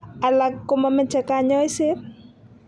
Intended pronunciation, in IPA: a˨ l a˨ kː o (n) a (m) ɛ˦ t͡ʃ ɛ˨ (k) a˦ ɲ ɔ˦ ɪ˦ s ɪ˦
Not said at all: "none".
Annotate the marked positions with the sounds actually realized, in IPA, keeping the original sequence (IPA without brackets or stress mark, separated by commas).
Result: m, m, k